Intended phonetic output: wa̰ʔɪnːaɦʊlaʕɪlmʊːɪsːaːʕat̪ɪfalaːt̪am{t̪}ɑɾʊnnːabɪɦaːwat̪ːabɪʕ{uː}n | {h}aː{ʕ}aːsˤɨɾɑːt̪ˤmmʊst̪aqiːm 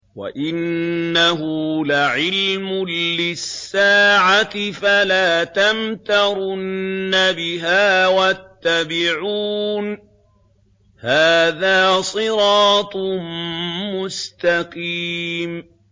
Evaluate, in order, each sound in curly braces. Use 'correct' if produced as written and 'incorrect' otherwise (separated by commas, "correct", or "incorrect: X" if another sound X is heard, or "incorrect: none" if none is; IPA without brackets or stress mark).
correct, correct, correct, incorrect: ð